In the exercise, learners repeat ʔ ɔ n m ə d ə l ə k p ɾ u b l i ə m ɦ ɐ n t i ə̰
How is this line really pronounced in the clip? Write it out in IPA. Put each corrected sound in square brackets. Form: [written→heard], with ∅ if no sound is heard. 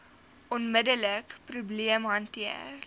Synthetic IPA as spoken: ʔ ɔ n m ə d ə l ə k p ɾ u b l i ə m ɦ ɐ n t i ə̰